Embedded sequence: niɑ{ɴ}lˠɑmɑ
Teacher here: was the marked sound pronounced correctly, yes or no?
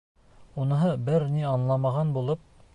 no